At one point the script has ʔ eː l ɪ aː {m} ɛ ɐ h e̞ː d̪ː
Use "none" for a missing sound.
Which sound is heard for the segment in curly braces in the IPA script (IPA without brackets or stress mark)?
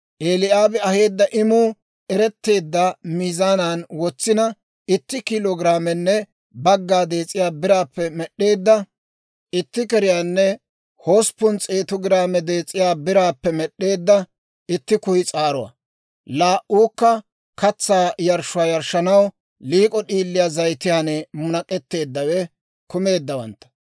b